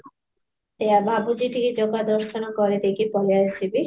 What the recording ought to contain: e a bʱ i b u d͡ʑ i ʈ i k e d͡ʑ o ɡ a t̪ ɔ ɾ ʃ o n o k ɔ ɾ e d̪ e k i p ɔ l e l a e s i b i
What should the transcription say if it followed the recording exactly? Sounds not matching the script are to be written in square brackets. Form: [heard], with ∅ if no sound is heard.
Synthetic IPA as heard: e a bʱ [a] b u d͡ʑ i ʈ i k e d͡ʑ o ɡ a [d̪] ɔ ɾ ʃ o n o k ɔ ɾ e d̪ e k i p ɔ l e [∅] a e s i b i